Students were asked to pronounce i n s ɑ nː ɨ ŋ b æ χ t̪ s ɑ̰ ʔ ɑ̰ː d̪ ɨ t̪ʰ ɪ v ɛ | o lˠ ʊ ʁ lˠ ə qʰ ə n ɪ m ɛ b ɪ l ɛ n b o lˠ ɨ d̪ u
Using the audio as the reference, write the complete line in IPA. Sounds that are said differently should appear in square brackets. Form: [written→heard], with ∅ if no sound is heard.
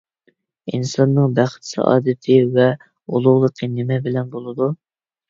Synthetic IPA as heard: i n s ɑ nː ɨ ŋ b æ χ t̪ s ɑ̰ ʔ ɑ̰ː d̪ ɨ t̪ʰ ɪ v ɛ | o lˠ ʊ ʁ lˠ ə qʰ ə n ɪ m ɛ b ɪ l ɛ n b o lˠ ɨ d̪ u